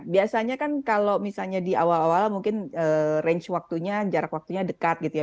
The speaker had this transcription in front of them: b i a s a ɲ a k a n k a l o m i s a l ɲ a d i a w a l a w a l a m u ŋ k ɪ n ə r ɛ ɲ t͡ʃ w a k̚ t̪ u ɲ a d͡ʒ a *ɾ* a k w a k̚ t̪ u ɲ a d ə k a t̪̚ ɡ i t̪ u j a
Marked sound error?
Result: no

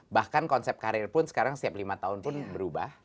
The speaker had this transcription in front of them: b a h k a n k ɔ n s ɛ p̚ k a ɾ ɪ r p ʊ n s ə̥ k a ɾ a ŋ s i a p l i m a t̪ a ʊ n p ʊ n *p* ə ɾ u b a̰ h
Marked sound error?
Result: yes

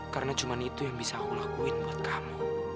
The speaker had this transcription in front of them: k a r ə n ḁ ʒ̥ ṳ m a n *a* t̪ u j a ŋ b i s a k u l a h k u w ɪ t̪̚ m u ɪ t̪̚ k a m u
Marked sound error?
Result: yes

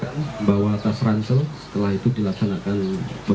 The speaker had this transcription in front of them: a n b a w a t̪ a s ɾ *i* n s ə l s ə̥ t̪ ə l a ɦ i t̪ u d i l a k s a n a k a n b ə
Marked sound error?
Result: yes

